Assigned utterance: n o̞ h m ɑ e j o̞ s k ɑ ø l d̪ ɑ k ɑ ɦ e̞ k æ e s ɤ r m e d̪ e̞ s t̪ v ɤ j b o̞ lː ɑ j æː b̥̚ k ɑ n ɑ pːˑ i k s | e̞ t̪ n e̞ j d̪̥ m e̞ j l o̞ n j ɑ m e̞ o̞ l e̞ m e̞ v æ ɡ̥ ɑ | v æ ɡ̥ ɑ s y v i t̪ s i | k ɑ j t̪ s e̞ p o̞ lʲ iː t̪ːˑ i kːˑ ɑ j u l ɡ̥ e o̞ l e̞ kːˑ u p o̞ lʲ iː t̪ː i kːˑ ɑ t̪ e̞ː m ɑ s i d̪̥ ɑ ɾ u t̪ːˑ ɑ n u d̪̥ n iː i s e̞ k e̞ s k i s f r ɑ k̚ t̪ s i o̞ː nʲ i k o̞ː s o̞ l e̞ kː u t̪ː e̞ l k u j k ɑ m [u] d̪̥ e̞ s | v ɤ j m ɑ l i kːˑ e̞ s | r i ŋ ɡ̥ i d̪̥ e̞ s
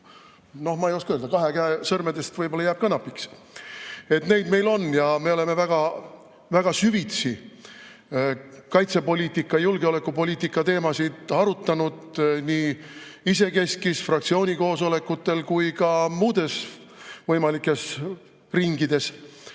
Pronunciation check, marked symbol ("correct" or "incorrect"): incorrect